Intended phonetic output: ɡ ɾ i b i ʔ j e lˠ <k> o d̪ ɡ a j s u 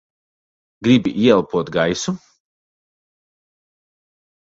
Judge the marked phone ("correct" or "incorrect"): incorrect